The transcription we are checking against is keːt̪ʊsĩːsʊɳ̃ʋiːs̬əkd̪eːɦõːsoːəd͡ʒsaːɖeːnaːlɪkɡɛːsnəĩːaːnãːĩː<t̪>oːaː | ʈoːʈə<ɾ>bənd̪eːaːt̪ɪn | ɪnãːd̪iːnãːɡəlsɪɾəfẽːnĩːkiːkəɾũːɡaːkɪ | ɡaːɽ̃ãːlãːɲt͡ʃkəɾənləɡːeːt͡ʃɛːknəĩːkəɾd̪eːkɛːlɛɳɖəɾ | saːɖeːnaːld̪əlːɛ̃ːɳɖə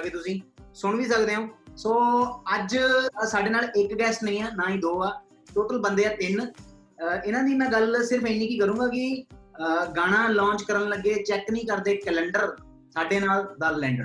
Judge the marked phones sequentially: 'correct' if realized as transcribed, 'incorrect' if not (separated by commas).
incorrect, incorrect